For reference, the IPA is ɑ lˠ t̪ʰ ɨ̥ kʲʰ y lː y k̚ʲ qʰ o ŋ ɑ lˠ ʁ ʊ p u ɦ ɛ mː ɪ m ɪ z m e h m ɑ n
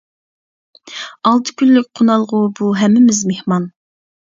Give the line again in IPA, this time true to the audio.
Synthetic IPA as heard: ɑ lˠ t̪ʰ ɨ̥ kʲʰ y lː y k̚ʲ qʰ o n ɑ lˠ ʁ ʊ b u ɦ ɛ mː ɪ m ɪ z m e h m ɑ n